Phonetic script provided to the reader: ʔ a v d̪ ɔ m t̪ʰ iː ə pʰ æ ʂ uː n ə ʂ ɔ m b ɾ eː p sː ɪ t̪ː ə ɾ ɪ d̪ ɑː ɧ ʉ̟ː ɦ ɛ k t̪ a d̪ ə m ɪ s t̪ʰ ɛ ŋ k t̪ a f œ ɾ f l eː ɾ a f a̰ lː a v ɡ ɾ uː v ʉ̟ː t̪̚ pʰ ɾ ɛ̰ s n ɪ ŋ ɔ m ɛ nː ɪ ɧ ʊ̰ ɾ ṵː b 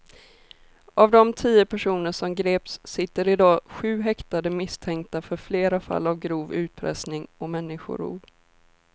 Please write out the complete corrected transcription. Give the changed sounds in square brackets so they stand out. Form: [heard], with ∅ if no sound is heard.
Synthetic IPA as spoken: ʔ a v d̪ ɔ m t̪ʰ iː ə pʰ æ ʂ uː n ə ʂ ɔ m [ɡ] ɾ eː p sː ɪ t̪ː ə ɾ ɪ d̪ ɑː ɧ ʉ̟ː ɦ ɛ k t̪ a d̪ ə m ɪ s t̪ʰ ɛ ŋ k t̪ a f œ ɾ f l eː ɾ a f a̰ lː a v ɡ ɾ uː v ʉ̟ː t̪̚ pʰ ɾ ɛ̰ s n ɪ ŋ ɔ m ɛ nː ɪ ɧ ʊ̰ ɾ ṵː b